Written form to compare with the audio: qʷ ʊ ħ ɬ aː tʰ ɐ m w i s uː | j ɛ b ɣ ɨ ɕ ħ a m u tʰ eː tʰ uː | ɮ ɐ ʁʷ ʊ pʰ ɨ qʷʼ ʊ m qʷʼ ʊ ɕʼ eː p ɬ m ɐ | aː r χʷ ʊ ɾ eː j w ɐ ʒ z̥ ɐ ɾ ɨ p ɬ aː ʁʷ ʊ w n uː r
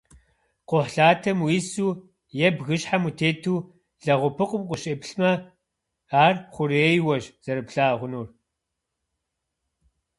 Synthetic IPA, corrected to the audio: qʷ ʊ ħ ɬ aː tʰ ɐ m w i s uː | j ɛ b ɣ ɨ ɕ ħ a m u tʰ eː tʰ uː | ɮ ɐ ʁʷ ʊ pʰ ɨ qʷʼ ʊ m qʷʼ ʊ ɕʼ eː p ɬ m ɐ | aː r χʷ ʊ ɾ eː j w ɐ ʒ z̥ ɐ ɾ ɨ p ɬ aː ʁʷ ʊ n uː r